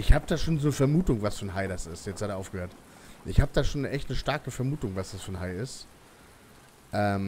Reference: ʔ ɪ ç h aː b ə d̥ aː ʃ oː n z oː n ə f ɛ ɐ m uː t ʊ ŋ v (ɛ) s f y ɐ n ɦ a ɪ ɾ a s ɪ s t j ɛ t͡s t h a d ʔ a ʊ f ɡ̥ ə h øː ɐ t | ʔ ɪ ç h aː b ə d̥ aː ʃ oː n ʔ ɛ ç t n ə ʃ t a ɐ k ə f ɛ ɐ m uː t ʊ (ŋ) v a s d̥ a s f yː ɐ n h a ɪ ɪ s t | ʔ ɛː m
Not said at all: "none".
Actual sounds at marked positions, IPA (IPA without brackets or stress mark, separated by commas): a, ŋ